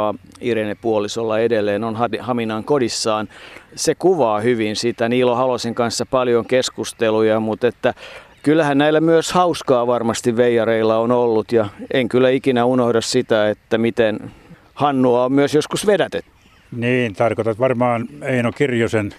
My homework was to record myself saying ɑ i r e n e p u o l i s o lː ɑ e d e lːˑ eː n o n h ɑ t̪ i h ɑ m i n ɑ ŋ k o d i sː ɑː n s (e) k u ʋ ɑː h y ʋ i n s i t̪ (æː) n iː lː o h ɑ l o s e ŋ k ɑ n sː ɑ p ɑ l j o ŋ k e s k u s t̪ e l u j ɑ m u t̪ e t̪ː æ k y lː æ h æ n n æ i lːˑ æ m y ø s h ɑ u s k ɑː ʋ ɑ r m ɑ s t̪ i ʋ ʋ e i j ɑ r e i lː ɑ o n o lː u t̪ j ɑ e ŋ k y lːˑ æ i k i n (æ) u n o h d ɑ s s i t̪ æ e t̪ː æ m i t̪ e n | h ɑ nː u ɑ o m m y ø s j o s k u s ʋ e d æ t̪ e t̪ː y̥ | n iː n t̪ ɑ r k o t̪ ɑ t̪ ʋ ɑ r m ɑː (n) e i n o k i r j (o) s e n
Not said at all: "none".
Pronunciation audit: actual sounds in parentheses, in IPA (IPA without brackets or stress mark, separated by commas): e, æ, æ, n, o